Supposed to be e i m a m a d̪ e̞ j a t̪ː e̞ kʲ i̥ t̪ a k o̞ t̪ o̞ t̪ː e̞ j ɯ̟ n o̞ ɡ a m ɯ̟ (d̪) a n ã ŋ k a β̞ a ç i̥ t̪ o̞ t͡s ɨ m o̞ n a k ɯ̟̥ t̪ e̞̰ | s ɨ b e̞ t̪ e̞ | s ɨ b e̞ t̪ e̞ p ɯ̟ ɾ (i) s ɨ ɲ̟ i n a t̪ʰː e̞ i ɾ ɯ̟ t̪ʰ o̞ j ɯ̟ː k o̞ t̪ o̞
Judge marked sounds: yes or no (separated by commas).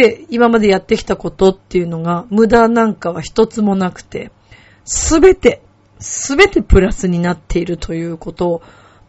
yes, no